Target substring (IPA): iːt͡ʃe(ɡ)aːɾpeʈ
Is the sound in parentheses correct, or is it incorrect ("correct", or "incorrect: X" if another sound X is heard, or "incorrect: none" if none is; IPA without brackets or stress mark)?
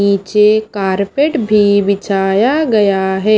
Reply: incorrect: k